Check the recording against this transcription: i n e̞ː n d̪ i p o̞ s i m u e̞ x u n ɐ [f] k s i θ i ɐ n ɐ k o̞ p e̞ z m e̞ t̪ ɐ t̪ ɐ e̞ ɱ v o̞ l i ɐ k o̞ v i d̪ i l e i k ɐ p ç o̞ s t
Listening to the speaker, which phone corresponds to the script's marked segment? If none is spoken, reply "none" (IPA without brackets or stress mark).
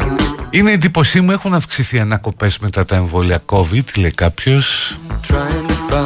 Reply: f